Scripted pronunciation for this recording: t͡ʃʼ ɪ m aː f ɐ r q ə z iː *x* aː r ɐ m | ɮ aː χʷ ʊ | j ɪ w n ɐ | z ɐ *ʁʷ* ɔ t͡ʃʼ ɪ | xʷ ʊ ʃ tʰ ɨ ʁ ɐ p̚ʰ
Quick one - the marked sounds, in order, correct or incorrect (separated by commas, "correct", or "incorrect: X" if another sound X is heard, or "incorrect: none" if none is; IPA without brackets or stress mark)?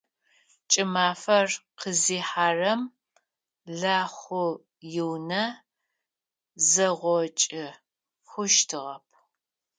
incorrect: ħ, correct